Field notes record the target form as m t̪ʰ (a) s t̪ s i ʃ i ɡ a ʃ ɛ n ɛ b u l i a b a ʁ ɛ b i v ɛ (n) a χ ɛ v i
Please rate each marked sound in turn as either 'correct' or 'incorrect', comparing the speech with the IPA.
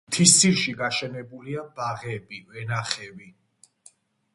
incorrect: i, correct

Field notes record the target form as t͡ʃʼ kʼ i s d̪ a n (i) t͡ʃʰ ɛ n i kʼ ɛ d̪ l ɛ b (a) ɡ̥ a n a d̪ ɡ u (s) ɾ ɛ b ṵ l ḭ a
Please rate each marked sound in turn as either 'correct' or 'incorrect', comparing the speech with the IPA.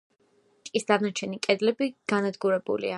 incorrect: a, incorrect: i, incorrect: none

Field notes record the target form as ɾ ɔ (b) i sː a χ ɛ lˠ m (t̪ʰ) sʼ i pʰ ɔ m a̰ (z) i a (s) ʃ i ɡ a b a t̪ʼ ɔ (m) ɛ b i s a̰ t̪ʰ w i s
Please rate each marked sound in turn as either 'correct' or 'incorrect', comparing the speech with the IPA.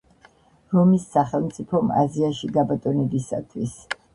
incorrect: m, incorrect: t̪, correct, incorrect: none, incorrect: n

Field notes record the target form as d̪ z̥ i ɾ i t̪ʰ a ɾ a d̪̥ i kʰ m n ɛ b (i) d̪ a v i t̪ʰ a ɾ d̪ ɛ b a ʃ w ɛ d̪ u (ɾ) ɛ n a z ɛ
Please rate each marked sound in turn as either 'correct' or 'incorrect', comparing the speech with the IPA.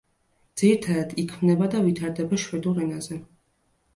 incorrect: a, correct

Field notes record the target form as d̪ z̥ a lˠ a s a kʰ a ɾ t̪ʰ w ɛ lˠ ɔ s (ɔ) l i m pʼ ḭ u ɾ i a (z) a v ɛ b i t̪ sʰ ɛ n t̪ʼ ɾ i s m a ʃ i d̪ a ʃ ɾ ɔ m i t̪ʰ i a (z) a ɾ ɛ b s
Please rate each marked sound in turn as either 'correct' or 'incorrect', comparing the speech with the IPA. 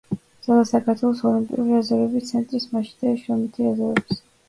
correct, correct, correct

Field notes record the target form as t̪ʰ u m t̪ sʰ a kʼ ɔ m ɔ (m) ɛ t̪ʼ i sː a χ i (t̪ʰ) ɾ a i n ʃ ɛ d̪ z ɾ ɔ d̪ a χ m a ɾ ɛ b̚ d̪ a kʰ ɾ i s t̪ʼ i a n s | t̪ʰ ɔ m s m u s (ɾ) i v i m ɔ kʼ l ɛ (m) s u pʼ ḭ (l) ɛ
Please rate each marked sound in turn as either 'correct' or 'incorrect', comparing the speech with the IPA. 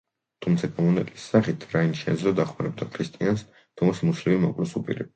incorrect: n, correct, incorrect: l, incorrect: none, incorrect: ɾ

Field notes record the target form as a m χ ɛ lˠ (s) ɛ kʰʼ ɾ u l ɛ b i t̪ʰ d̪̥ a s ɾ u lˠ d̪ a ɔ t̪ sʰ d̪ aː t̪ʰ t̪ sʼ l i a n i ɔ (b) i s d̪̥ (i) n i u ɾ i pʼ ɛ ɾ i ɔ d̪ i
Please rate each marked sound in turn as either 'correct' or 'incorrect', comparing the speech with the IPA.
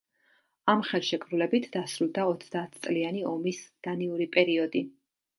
incorrect: ʃ, incorrect: m, incorrect: a

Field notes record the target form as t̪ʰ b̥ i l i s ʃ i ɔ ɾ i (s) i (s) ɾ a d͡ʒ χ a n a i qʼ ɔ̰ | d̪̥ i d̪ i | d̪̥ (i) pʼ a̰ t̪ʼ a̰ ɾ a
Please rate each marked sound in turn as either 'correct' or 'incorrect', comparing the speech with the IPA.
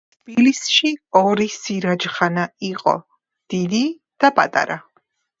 correct, incorrect: none, incorrect: a

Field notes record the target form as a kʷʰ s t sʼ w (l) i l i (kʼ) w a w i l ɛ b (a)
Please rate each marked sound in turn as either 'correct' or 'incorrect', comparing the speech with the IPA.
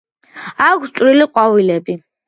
incorrect: ɾ, incorrect: qʼ, incorrect: i

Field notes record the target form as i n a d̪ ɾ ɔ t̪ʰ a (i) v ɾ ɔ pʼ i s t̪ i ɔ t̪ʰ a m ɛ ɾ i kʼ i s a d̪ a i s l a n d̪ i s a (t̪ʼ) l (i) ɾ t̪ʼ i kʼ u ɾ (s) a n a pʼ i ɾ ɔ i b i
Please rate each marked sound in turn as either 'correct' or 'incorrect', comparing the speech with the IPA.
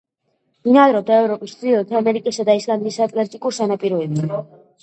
incorrect: ɛ, correct, incorrect: ɛ, correct

